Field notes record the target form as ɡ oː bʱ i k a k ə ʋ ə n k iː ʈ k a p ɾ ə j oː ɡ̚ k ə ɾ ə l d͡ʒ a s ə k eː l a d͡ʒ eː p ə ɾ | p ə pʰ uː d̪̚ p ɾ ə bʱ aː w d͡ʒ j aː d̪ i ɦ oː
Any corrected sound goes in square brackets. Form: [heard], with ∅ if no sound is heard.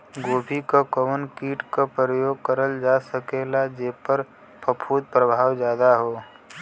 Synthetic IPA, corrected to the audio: ɡ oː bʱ i k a k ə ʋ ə n k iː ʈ k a p ɾ ə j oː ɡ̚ k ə ɾ ə l d͡ʒ a s ə k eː l a d͡ʒ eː p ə ɾ | p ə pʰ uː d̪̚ p ɾ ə bʱ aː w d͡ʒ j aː d̪ [a] ɦ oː